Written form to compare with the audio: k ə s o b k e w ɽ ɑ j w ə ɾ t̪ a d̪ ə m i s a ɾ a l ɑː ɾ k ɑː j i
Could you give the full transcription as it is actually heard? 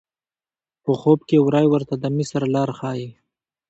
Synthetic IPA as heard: p ə x o b k e w ɾ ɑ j w ə ɾ t̪ a d̪ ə m i s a ɾ a l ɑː ɾ x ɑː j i

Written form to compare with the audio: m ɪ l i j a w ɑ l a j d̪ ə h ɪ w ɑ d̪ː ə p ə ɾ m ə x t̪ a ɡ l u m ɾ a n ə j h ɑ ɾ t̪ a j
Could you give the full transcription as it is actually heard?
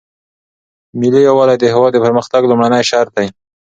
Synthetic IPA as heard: m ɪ l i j a w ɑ l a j d̪ ə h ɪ w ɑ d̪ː ə p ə ɾ m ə x t̪ a ɡ l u m ɽ a n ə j ʃ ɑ ɾ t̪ a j

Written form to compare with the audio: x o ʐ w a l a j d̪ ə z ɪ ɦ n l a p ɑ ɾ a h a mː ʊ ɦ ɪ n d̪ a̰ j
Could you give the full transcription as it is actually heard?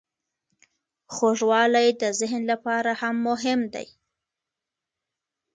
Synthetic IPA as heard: x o ʐ w ɑ l a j d̪ ə z ɪ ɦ n l a p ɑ ɾ a h a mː ʊ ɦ ɪ m d̪ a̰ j

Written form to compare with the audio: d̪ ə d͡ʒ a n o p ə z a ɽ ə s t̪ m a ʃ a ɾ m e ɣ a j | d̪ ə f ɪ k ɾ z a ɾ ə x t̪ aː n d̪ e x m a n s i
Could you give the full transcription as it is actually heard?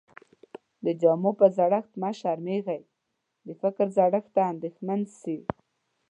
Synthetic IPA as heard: d̪ ə d͡ʒ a m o p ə z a ɽ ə x t̪ m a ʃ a ɾ m e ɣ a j | d̪ ə f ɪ k ɾ z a ɽ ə x t̪ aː n d̪ e x m a n s i

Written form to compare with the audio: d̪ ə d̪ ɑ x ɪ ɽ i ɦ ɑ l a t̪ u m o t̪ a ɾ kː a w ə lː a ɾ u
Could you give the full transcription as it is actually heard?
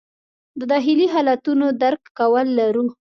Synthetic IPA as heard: d̪ ə d̪ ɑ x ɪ l i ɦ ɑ l a t̪ u n o d̪ a ɾ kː a w ə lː a ɾ u

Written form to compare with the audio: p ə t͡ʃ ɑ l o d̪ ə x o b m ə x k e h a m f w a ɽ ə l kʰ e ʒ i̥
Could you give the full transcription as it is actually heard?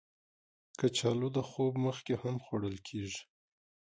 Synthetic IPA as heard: k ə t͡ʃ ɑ l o d̪ ə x o b m ə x k e h a m x w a ɽ ə l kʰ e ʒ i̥

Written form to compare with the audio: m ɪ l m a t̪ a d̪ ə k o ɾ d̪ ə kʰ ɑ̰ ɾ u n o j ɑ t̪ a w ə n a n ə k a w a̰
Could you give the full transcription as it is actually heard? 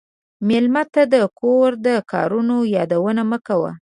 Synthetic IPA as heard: m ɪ l m a t̪ a d̪ ə k o ɾ d̪ ə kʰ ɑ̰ ɾ u n o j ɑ d̪ a w ə n a m ə k a w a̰

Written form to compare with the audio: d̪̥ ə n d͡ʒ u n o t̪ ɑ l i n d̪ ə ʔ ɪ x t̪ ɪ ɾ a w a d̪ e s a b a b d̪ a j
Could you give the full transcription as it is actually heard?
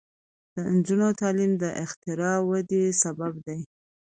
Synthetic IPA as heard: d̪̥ ə n d͡ʒ u n o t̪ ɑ l i m d̪ ə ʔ ɪ x t̪ ɪ ɾ ɑ w a d̪ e s a b a b d̪ a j

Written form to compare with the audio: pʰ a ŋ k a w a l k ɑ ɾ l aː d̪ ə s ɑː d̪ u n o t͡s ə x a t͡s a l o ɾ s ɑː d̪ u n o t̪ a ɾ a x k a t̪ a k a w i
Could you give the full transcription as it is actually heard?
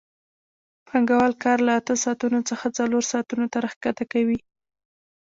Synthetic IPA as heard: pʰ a ŋ ɡ a w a l k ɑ ɾ l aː t̪ ə s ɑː t̪ u n o t͡s ə x a t͡s a l o ɾ s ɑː t̪ u n o t̪ a ɾ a x k a t̪ a k a w i

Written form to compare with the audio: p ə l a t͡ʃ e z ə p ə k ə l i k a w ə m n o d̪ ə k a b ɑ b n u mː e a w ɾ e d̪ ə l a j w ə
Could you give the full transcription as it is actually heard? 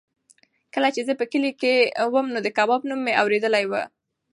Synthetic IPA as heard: k ə l a t͡ʃ e z ə p ə k ə l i k e w ə m n o d̪ ə k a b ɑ b n u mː e a w ɾ e d̪ ə l a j w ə

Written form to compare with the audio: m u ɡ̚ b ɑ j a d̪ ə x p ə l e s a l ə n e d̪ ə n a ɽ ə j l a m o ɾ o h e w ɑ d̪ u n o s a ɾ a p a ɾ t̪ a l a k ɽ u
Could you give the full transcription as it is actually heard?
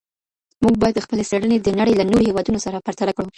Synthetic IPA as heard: m u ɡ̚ b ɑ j a d̪ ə x p ə l e s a ɽ ə n e d̪ ə n a ɽ ə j l a n o ɾ o h e w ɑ d̪ u n o s a ɾ a p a ɾ t̪ a l a k ɽ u

